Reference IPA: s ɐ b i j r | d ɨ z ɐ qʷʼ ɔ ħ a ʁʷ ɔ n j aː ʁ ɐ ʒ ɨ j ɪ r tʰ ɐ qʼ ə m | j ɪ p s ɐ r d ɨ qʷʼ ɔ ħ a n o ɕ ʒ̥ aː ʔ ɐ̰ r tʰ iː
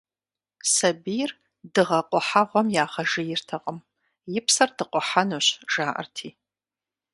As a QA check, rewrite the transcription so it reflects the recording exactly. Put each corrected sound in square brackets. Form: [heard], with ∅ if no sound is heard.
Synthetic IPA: s ɐ b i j r | d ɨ [ʁ] ɐ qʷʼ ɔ ħ a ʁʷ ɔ [m] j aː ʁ ɐ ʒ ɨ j ɪ r tʰ ɐ qʼ ə m | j ɪ p s ɐ r d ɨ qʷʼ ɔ ħ a n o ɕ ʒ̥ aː ʔ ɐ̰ r tʰ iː